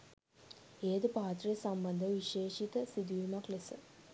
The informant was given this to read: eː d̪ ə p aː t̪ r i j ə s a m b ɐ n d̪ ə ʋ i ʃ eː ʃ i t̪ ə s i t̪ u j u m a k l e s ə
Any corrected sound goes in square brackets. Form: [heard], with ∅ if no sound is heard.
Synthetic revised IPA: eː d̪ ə p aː t̪ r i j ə s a m b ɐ n d̪ ə ʋ i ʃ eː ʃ i t̪ ə s i [d̪] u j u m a k l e s ə